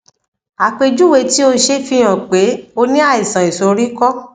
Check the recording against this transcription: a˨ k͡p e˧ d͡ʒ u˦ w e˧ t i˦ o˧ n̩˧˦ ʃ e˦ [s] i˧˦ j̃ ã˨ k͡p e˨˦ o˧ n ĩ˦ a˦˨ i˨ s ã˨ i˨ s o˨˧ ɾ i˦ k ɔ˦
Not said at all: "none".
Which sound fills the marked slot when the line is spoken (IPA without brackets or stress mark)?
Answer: f